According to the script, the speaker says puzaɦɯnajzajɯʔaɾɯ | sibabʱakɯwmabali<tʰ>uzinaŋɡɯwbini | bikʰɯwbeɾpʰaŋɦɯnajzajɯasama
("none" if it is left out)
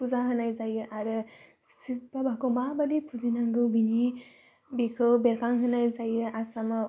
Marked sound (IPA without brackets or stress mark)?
pʰ